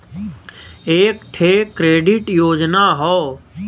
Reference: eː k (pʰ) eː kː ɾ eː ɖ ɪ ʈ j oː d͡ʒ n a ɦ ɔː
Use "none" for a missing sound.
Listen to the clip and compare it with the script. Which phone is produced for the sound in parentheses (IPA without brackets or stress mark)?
ʈʰ